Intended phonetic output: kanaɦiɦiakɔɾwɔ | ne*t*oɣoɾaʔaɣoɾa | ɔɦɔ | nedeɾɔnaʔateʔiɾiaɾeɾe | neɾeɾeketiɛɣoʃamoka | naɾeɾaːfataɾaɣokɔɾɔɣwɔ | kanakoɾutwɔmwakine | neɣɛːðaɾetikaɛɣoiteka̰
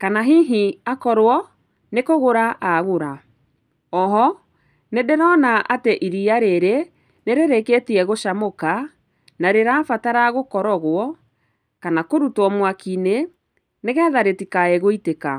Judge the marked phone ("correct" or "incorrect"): incorrect